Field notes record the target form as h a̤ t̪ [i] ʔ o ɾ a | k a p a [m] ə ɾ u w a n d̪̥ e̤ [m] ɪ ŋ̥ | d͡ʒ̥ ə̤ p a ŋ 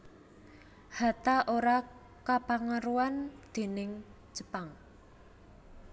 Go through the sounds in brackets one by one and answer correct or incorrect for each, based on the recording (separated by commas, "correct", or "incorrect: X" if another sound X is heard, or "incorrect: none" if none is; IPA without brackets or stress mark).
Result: incorrect: a, incorrect: ŋ, incorrect: n